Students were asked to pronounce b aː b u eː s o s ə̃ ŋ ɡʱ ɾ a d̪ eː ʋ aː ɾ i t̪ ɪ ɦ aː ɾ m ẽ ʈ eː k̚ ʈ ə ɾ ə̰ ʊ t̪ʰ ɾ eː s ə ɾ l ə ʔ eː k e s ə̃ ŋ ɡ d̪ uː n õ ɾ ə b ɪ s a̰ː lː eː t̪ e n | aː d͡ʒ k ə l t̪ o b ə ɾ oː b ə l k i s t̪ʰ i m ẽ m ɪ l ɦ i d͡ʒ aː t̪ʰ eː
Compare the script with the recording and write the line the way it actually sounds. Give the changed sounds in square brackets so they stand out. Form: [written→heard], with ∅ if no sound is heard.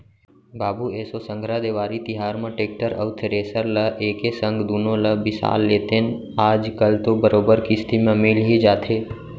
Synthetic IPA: b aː b u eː s o s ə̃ ŋ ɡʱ ɾ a d̪ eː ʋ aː ɾ i t̪ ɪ ɦ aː ɾ m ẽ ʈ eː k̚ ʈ ə ɾ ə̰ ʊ t̪ʰ ɾ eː s ə ɾ l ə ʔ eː k e s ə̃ ŋ ɡ d̪ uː n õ [ɾ→l] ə b ɪ s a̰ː lː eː t̪ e n | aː d͡ʒ k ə l t̪ o b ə ɾ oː b ə [l→ɾ] k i s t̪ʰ i m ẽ m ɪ l ɦ i d͡ʒ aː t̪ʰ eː